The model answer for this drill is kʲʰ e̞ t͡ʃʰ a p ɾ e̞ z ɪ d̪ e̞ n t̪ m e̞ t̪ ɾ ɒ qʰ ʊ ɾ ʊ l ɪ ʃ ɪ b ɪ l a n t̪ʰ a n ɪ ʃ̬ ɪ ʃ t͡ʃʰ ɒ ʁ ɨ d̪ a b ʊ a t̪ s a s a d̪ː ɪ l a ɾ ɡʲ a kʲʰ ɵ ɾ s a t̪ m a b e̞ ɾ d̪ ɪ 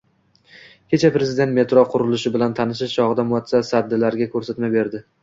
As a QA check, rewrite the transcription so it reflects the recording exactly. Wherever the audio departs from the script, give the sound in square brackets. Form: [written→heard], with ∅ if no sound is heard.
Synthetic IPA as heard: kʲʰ e̞ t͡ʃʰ a p ɾ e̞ z ɪ d̪ e̞ n t̪ m e̞ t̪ ɾ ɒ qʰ ʊ ɾ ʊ l ɪ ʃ ɪ b ɪ l a n t̪ʰ a n ɪ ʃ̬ ɪ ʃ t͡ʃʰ ɒ ʁ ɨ d̪ a [b→m] ʊ a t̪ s a s a d̪ː ɪ l a ɾ ɡʲ a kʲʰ ɵ ɾ s a t̪ m a b e̞ ɾ d̪ ɪ